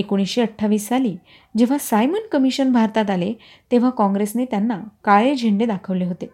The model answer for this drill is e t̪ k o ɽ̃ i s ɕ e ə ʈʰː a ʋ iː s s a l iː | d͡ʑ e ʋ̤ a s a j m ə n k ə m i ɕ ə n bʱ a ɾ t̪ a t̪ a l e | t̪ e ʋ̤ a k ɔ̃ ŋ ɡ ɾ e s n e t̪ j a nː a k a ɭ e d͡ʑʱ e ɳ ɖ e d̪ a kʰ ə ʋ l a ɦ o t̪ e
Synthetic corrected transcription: e k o ɽ̃ i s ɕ e ə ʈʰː a ʋ iː s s a l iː | d͡ʑ e ʋ̤ a s a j m ə n k ə m i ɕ ə n bʱ a ɾ t̪ a t̪ a l e | t̪ e ʋ̤ a k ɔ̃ ŋ ɡ ɾ e s n e t̪ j a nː a k a ɭ e d͡ʑʱ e ɳ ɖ e d̪ a kʰ ə ʋ l e ɦ o t̪ e